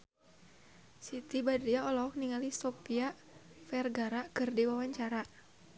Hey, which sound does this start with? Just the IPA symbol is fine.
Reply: s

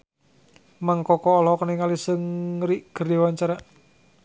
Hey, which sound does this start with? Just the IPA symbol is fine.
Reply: m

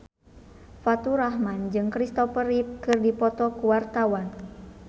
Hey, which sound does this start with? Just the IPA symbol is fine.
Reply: f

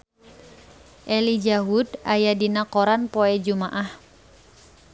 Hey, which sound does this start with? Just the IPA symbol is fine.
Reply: ʔ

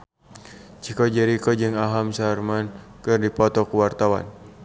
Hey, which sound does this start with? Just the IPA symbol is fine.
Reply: t͡ʃ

